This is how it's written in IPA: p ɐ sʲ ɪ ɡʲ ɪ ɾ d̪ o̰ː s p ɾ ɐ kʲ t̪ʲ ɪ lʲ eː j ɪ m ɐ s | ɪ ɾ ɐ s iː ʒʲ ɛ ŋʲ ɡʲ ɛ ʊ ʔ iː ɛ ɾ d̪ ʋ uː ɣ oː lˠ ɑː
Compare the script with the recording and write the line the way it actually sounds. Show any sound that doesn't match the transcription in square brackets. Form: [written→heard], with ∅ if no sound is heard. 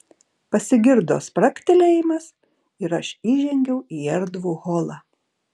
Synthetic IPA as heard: p ɐ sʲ ɪ ɡʲ ɪ ɾ d̪ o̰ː s p ɾ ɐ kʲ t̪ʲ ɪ lʲ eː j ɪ m ɐ s | ɪ ɾ ɐ [s→ʃ] iː ʒʲ ɛ ŋʲ ɡʲ ɛ ʊ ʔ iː ɛ ɾ d̪ ʋ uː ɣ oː lˠ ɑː